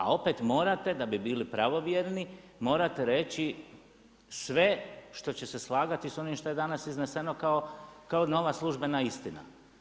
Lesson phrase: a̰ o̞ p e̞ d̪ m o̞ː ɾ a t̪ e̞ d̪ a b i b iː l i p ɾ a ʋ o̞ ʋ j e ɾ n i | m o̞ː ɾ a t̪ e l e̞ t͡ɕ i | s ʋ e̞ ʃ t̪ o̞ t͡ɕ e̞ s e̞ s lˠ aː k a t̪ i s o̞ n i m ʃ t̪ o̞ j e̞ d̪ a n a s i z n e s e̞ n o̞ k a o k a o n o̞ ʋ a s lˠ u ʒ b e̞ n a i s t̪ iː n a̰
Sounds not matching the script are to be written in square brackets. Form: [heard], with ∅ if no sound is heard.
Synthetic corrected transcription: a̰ o̞ p e̞ [t̪] m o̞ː ɾ a t̪ e̞ d̪ a b i b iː l i p ɾ a ʋ o̞ ʋ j e ɾ n i | m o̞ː ɾ a t̪ e [ɾ] e̞ t͡ɕ i | s ʋ e̞ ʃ t̪ o̞ t͡ɕ e̞ s e̞ s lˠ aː [ɡ] a t̪ i s o̞ n i m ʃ t̪ o̞ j e̞ d̪ a n a s i z n e s e̞ n o̞ k a o k a o n o̞ ʋ a s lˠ u ʒ b e̞ n a i s t̪ [i] n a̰